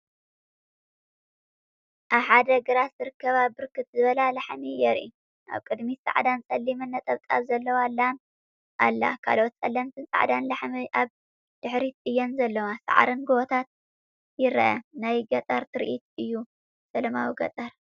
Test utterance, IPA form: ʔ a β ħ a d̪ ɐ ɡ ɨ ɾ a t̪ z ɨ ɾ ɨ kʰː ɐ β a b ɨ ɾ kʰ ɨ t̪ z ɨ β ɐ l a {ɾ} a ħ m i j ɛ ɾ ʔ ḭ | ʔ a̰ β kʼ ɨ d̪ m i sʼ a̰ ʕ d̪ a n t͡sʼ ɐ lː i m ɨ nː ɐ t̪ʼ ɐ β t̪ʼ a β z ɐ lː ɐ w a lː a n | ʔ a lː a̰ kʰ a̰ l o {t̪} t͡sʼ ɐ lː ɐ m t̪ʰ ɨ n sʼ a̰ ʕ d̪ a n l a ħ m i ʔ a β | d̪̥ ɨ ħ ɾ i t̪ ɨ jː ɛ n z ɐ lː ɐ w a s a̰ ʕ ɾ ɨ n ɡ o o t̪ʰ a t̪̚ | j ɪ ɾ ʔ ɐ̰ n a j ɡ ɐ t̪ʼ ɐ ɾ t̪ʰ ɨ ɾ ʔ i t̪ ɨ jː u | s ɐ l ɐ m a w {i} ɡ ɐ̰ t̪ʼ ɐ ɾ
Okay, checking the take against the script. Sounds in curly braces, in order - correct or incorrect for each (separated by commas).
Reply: incorrect, correct, correct